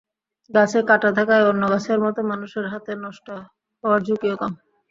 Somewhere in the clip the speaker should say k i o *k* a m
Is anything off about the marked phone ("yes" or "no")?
no